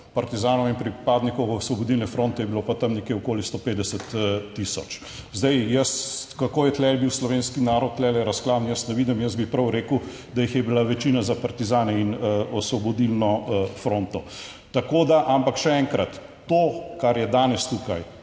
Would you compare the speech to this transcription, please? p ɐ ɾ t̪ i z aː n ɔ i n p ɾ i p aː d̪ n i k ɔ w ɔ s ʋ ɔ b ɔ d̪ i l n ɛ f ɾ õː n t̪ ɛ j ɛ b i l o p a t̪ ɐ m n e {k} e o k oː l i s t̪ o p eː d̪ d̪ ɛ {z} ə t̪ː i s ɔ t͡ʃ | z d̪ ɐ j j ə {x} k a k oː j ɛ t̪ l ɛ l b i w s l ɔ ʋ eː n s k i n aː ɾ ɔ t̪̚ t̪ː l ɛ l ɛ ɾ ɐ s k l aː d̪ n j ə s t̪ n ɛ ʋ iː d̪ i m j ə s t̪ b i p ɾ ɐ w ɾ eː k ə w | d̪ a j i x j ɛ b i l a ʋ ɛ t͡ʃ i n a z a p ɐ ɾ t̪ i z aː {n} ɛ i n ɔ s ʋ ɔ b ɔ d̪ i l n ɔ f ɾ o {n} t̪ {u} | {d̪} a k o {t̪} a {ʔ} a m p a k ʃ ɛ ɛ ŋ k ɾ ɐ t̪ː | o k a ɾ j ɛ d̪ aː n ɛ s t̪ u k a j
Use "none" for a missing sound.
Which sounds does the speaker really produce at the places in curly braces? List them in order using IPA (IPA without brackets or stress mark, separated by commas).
k, s, s, n, n, ɔ, t̪, d̪, ʔ